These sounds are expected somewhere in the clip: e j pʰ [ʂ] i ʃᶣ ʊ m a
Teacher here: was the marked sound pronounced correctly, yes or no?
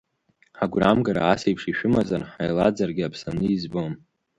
yes